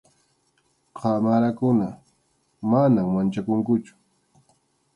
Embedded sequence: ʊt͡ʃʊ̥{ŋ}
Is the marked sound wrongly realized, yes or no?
yes